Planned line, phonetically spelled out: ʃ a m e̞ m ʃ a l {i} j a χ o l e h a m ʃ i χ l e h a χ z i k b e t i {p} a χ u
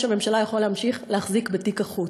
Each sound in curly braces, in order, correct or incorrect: incorrect: a, incorrect: k

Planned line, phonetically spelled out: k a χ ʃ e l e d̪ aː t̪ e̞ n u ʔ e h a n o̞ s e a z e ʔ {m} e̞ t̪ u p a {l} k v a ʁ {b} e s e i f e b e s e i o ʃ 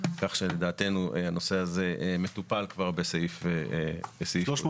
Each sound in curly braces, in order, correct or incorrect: correct, correct, correct

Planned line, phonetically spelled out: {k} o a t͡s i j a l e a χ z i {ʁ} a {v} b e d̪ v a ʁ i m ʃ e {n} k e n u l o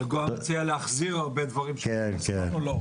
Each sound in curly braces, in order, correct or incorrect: incorrect: ɡ, correct, incorrect: ʁ, correct

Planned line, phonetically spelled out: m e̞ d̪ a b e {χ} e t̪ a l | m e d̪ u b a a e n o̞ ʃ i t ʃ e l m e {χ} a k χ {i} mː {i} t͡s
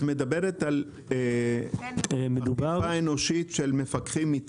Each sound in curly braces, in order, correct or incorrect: incorrect: ʁ, incorrect: f, correct, correct

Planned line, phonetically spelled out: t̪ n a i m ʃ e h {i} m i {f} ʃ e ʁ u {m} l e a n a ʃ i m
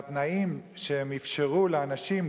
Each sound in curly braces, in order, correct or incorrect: incorrect: e, correct, incorrect: none

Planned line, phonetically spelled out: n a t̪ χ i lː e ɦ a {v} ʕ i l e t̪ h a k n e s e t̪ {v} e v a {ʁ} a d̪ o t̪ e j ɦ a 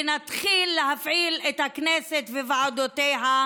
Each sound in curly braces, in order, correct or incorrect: incorrect: f, correct, incorrect: ʕ

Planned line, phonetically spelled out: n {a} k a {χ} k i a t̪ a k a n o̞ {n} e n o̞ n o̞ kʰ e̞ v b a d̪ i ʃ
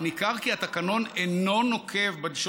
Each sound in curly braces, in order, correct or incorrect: incorrect: i, incorrect: ʁ, correct

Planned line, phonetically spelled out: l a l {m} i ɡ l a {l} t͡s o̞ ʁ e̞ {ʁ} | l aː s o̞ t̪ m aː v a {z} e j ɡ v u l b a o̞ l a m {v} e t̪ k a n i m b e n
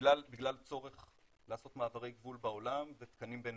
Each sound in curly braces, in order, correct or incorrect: incorrect: b, correct, incorrect: χ, incorrect: ʁ, correct

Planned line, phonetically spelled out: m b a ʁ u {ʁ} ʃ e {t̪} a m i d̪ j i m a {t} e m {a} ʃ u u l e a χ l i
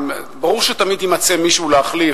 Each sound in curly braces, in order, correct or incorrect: correct, correct, incorrect: t͡s, incorrect: i

